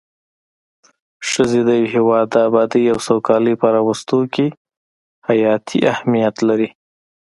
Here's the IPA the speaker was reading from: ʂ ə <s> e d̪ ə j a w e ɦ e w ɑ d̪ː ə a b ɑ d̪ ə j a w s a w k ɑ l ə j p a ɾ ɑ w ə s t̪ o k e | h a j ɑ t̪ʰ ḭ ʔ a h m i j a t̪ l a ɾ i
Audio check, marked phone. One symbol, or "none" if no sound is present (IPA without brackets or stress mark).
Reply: z